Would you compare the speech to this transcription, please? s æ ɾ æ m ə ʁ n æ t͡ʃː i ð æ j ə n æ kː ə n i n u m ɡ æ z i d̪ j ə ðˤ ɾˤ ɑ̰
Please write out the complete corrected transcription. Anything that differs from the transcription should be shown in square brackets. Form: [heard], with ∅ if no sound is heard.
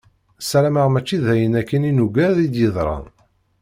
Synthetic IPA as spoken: s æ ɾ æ m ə ʁ [m] æ t͡ʃː i ð æ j ə n æ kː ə n i n u [∅] ɡ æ [ð] i d̪ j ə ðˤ ɾˤ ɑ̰